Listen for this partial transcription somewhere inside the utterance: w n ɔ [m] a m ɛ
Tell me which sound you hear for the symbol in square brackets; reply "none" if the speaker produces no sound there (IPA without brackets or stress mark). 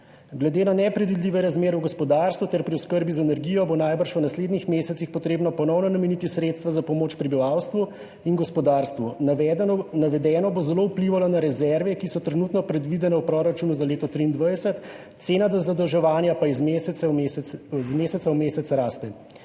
n